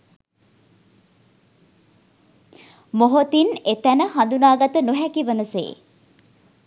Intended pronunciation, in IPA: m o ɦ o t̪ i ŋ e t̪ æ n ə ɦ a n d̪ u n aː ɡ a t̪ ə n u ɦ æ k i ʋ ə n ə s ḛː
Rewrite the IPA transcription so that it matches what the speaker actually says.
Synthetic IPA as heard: m o ɦ o t̪ i n e t̪ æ n ə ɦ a n d̪ u n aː ɡ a t̪ ə n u ɦ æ k i ʋ ə n ə s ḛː